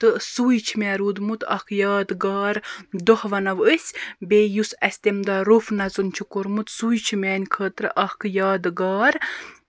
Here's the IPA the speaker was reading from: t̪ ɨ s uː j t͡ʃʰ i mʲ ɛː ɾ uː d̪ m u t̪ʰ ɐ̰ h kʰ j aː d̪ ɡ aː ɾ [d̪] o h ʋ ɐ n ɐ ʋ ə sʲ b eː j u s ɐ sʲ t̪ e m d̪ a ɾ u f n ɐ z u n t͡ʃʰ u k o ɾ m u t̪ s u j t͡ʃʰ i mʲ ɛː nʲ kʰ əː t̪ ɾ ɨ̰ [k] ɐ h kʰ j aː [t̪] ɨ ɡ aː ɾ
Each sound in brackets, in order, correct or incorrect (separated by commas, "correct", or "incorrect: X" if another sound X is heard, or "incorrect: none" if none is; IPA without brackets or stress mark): correct, incorrect: ʔ, incorrect: d̪